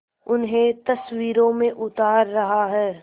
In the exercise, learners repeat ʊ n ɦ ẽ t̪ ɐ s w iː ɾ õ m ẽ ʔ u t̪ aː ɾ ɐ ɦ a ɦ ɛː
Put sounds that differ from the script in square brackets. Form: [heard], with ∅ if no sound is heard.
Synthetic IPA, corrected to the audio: ʊ n ɦ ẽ t̪ ɐ s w iː ɾ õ m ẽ ʔ [ʊ] t̪ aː [ɾː] ɐ ɦ a ɦ ɛː